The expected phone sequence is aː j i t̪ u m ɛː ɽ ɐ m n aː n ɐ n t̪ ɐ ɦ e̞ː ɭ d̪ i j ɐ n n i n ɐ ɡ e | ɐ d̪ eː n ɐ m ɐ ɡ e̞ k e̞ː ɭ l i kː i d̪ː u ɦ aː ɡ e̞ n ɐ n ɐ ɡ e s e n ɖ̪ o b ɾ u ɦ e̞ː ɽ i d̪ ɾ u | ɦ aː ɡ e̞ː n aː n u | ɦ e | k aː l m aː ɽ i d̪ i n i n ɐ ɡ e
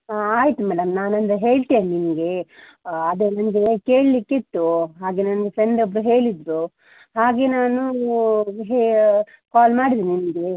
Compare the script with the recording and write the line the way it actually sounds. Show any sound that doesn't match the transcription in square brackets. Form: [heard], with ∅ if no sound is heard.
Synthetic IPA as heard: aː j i t̪ u m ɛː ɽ ɐ m n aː n ɐ n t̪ ɐ ɦ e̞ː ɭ [t̪] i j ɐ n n i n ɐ ɡ e | ɐ d̪ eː n ɐ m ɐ ɡ e̞ k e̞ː ɭ l i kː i [t̪ː] u ɦ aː ɡ e̞ n ɐ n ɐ ɡ e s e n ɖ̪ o b ɾ u ɦ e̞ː [ɭ] i d̪ ɾ u | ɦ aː ɡ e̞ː n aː n u | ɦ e | k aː l m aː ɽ i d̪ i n i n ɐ ɡ e